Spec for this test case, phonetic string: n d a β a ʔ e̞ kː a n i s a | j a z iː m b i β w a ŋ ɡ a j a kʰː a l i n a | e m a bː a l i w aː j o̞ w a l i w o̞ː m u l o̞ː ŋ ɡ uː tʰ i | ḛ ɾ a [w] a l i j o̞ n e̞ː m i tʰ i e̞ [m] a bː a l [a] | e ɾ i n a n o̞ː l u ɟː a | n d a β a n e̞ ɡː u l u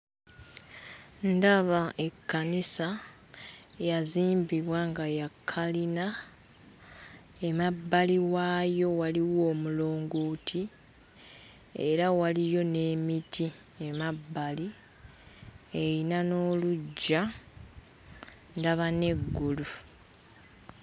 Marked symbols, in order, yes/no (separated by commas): yes, yes, no